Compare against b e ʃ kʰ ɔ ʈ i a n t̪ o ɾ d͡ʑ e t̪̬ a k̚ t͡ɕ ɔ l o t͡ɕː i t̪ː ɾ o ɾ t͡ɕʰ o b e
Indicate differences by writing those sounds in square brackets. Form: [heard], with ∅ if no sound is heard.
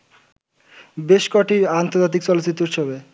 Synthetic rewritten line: b e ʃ [k] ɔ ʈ i a n t̪ o ɾ d͡ʑ [a] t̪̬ [i] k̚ t͡ɕ ɔ l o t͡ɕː i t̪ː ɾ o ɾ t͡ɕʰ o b e